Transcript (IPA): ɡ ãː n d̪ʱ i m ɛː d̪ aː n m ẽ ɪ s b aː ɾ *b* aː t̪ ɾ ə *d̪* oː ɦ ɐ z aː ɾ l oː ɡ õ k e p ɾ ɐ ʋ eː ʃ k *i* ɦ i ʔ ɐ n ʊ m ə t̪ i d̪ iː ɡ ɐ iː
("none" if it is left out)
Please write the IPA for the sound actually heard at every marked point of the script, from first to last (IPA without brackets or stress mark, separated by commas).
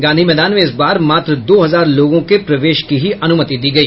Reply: m, d̪, i